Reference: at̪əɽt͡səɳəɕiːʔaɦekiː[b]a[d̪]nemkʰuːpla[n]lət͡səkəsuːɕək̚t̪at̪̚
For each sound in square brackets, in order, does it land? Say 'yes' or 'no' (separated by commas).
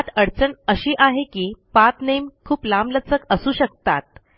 no, no, no